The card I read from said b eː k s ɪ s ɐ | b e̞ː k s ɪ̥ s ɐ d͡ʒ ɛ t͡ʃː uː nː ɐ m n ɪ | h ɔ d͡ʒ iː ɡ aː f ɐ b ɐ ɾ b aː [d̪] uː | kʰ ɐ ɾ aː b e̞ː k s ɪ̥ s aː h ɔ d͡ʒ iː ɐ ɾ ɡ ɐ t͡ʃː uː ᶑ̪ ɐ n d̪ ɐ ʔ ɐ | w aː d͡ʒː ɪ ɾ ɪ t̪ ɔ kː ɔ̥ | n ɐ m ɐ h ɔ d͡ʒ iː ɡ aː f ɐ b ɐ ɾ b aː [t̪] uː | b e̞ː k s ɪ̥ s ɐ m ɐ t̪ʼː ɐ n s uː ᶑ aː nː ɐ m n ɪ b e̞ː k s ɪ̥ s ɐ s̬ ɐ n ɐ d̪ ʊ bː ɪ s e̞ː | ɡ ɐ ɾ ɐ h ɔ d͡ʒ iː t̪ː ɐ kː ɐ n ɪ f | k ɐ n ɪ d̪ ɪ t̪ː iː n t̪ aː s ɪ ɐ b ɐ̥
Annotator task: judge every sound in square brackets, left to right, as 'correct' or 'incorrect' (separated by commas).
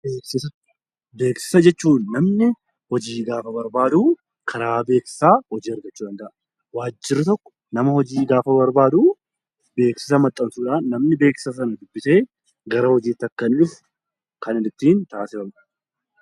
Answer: correct, incorrect